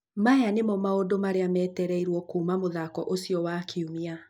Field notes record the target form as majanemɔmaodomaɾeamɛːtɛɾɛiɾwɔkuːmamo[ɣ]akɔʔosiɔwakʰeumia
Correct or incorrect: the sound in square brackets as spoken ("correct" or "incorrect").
incorrect